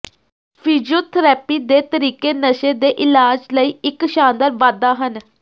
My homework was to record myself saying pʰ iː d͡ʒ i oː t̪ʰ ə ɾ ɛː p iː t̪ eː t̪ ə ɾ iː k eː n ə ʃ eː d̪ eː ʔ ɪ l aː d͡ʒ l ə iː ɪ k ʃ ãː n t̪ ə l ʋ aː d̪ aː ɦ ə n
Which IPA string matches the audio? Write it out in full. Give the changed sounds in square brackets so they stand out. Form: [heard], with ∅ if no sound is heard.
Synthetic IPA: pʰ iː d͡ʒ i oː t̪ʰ ə ɾ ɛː p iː [d̪] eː t̪ ə ɾ iː k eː n ə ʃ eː d̪ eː ʔ ɪ l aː d͡ʒ l ə iː ɪ k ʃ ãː n [d̪] ə [ɾ] ʋ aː d̪ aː ɦ ə n